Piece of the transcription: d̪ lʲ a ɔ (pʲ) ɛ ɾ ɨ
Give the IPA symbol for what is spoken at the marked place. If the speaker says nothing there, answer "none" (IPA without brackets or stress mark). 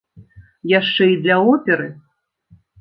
pʲ